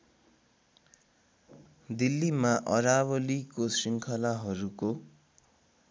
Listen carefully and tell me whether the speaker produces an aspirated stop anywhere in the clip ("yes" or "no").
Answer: yes